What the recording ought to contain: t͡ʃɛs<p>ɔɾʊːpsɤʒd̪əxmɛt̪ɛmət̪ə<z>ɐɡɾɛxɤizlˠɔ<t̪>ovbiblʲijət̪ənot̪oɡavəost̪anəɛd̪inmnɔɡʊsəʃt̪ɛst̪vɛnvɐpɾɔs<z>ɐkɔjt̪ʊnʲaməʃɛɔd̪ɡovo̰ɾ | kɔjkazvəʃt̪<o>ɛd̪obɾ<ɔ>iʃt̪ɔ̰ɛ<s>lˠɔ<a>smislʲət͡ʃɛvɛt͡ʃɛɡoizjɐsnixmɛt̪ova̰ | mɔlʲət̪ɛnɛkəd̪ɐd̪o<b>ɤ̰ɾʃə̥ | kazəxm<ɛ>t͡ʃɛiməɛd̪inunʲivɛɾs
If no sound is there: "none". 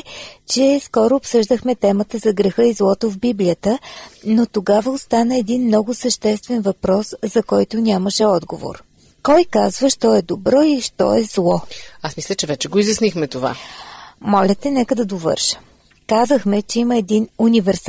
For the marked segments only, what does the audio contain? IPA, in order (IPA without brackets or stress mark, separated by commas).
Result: k, z, t̪, z, ɔ, ɔ, z, a, v, ɛ